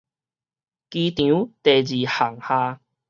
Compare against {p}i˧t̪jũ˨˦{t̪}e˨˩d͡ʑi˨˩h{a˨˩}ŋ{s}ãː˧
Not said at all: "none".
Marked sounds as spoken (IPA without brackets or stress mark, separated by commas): k, t̪, a˨˩, h